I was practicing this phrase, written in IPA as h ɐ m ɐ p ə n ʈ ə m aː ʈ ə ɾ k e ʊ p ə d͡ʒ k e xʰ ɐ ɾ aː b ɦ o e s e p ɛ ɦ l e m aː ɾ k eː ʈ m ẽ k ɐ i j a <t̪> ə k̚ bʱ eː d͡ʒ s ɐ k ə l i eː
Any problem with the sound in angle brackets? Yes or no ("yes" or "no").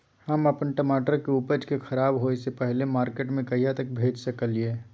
no